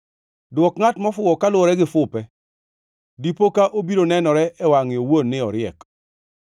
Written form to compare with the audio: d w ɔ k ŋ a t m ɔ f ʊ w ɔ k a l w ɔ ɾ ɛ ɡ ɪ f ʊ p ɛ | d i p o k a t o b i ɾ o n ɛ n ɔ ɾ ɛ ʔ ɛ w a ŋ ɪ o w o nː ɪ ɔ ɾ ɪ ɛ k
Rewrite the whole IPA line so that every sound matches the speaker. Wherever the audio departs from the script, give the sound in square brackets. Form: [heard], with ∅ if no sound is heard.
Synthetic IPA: d w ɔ k ŋ a t m ɔ f ʊ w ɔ k a l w ɔ ɾ ɛ ɡ ɪ f ʊ p ɛ | d i p o k a [ʔ] o b i ɾ o n ɛ n ɔ ɾ ɛ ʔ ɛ w a ŋ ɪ o w o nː ɪ ɔ ɾ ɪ ɛ k